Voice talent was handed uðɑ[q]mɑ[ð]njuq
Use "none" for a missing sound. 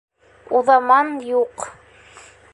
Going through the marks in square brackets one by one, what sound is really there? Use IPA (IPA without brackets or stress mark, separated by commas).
none, none